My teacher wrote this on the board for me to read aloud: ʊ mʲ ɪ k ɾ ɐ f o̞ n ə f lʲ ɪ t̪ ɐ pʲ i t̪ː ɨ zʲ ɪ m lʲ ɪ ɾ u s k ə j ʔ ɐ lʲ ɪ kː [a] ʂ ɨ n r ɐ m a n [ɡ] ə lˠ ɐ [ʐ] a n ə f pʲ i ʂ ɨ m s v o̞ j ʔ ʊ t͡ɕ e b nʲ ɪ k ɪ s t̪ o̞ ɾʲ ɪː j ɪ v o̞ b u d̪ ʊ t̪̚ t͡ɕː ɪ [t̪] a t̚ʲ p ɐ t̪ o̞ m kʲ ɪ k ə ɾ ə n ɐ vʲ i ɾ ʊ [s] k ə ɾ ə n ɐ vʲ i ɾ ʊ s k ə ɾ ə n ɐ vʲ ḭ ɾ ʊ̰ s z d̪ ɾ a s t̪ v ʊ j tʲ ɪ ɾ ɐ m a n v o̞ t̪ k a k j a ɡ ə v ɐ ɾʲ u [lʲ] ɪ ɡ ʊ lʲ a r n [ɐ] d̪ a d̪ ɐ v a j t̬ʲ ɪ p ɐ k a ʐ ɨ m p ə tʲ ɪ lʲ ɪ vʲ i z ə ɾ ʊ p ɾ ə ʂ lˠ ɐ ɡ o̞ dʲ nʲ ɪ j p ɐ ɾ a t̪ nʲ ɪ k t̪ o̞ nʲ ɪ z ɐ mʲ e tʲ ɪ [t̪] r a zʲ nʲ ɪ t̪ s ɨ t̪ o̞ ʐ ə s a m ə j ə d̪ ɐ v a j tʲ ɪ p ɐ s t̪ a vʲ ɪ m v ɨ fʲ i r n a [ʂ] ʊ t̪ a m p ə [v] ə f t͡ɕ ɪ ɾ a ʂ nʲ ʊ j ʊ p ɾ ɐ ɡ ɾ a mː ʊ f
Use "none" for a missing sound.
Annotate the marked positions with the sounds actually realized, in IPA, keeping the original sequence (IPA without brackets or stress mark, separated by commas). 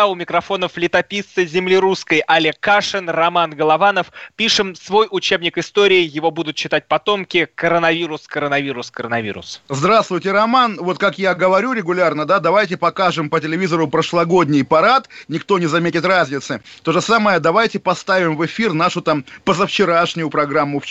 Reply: a, ɡ, v, t̪, s, ɾʲ, ə, t̪, ʂ, z